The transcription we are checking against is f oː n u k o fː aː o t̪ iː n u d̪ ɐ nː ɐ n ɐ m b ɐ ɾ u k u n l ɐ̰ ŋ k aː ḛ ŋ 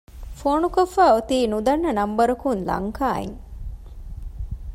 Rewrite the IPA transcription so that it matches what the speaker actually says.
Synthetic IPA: f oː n u k o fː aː o t̪ iː n u d̪ ɐ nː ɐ n ɐ m b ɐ ɾ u k u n l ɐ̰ ŋ k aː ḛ ŋ